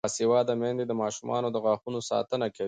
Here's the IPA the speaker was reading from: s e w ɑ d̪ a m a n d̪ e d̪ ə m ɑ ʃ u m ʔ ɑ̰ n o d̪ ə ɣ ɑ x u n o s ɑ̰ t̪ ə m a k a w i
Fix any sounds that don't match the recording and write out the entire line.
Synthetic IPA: s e w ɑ d̪ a m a n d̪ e d̪ ə m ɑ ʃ u m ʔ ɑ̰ n o d̪ ə ɣ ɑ x u n o s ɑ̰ t̪ ə n a k a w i